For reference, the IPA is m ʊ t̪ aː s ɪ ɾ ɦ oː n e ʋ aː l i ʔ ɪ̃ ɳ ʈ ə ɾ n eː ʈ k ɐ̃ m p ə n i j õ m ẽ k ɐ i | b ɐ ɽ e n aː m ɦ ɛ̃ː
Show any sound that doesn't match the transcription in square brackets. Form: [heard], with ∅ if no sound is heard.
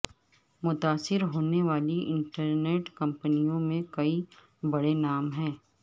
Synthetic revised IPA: m ʊ t̪ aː s ɪ ɾ ɦ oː n e ʋ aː l i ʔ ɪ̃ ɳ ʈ ə ɾ n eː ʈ k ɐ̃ m p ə n i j õ m ẽ k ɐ i | b ɐ ɽ e n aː m ɦ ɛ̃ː